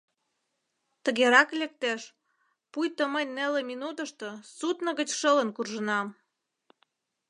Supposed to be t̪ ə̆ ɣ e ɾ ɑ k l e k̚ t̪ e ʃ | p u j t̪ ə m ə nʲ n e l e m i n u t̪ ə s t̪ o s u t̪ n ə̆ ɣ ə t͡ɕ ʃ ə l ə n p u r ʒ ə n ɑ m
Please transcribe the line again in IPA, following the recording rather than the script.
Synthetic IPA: t̪ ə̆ ɣ e ɾ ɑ k l e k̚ t̪ e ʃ | p u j t̪ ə m ə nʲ n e l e m i n u t̪ ə ʃ t̪ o s u t̪ n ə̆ ɣ ə t͡ɕ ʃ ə l ə n k u r ʒ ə n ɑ m